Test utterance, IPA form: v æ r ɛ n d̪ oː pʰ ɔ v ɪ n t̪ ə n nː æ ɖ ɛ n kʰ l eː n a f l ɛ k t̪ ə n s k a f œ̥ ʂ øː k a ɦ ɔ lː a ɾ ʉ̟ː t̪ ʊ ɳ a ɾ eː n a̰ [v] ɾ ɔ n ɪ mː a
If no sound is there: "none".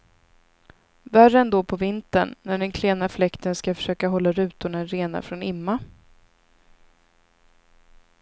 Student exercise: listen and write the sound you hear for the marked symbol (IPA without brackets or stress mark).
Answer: f